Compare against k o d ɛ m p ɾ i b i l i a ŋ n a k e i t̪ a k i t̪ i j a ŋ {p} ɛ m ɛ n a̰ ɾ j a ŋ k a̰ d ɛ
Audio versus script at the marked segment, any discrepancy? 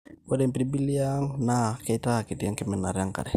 yes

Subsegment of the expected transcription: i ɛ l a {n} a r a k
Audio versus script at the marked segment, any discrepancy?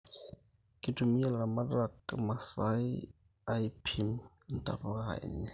yes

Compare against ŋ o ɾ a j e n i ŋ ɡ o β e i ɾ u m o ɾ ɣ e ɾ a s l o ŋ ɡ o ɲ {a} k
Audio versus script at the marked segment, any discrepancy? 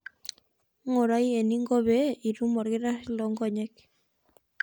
yes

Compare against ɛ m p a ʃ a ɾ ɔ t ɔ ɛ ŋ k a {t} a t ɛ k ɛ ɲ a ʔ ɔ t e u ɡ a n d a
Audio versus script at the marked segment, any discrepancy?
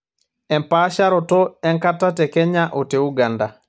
no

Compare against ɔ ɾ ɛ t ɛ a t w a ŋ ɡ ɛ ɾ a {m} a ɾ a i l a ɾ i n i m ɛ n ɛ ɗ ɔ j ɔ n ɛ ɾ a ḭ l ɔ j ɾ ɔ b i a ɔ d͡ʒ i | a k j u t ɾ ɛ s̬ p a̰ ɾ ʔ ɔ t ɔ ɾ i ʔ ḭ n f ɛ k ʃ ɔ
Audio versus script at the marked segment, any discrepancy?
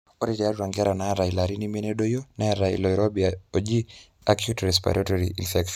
yes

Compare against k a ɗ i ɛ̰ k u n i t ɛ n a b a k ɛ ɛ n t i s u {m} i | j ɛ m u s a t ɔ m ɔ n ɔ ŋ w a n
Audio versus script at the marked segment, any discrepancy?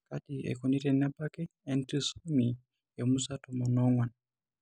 no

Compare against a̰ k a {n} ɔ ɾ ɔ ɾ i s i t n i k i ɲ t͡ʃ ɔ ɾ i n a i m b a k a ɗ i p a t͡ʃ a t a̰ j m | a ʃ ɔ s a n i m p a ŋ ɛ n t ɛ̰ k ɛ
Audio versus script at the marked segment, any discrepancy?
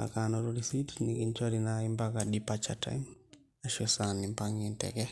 no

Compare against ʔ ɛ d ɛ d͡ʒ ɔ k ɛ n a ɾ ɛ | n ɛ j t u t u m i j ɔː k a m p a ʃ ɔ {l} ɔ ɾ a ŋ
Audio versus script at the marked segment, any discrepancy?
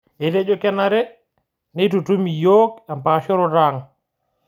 yes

